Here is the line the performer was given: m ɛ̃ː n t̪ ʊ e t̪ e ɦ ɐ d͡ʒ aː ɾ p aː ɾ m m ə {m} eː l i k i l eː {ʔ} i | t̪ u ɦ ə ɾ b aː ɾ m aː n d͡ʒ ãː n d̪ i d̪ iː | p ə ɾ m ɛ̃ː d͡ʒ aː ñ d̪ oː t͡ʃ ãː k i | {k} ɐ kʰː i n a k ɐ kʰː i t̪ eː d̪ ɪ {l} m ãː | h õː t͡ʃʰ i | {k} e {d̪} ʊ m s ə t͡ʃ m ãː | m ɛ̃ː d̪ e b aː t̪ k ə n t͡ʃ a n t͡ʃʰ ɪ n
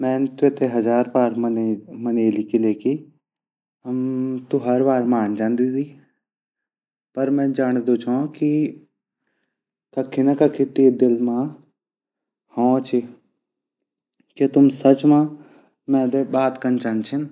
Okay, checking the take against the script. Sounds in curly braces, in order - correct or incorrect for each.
incorrect, incorrect, correct, correct, correct, incorrect

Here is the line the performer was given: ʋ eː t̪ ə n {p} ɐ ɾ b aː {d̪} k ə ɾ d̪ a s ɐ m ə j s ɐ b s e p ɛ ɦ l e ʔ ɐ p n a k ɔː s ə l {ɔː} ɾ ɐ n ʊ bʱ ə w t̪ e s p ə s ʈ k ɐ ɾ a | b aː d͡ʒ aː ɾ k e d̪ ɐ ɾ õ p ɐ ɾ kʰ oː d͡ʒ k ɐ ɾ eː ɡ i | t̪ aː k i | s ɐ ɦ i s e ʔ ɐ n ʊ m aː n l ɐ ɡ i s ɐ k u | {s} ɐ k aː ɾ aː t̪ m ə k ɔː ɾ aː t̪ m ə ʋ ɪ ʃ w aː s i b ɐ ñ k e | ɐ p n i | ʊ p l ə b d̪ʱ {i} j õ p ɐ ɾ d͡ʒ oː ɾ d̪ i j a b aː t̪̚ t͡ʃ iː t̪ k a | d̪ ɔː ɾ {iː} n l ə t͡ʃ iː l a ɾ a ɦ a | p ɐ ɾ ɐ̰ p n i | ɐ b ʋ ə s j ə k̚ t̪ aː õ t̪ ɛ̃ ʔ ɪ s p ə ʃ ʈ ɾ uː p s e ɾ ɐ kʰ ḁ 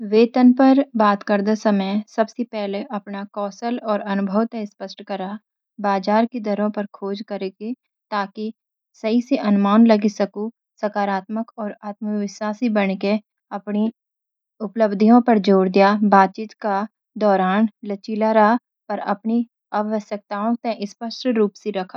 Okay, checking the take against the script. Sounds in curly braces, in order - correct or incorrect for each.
correct, incorrect, correct, correct, correct, incorrect

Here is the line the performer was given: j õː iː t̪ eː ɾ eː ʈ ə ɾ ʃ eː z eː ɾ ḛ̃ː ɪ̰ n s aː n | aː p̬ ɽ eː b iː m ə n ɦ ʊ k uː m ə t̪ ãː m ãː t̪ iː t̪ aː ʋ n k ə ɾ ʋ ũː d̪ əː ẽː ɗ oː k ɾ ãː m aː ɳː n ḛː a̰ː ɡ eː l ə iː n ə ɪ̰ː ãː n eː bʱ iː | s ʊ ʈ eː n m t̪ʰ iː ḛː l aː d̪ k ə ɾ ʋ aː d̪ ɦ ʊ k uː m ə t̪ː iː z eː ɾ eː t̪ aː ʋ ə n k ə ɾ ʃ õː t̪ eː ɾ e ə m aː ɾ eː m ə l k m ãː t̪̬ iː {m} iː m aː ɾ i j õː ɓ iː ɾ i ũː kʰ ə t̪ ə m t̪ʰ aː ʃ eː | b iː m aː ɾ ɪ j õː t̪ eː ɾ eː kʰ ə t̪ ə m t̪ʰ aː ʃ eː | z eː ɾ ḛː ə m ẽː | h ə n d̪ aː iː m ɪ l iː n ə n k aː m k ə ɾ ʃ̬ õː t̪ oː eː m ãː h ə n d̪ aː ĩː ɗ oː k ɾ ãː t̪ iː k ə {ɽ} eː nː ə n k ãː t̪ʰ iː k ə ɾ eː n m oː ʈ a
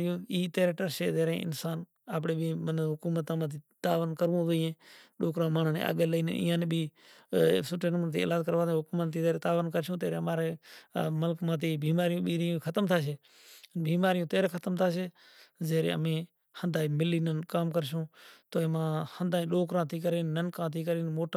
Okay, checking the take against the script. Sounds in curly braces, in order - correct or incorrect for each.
incorrect, incorrect

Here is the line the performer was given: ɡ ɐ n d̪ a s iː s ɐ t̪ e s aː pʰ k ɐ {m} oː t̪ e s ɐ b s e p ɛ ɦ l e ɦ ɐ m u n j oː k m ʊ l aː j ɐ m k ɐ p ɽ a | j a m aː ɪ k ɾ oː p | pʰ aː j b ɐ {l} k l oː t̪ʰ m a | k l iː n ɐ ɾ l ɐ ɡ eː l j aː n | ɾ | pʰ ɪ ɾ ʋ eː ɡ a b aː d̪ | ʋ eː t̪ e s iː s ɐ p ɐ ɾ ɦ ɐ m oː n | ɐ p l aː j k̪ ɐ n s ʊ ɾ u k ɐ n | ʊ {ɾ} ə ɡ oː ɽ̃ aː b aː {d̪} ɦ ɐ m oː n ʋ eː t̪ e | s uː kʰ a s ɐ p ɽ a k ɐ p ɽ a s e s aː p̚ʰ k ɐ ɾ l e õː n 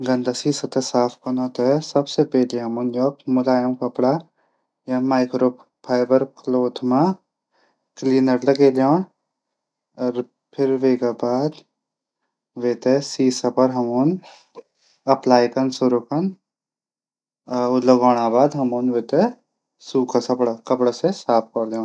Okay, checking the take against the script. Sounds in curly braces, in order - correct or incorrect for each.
incorrect, incorrect, incorrect, correct

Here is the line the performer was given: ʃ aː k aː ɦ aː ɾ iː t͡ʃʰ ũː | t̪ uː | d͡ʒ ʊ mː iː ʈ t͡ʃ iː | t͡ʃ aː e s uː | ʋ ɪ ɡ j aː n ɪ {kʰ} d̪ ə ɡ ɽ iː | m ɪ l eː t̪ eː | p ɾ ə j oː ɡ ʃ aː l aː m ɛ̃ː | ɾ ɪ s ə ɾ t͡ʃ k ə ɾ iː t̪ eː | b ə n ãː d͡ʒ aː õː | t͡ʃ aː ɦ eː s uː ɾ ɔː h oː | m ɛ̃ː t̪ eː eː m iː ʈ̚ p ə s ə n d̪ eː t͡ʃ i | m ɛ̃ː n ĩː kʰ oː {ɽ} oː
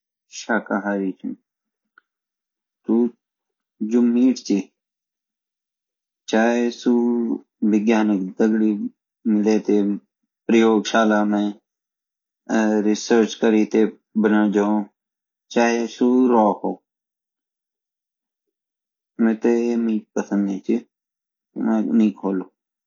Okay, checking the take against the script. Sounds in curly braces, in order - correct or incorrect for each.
incorrect, incorrect

